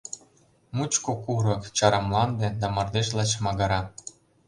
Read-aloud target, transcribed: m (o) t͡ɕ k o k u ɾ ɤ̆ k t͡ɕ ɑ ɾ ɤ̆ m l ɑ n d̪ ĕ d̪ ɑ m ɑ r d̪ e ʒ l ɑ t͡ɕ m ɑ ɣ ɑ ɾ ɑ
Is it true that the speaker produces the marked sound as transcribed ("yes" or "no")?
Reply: no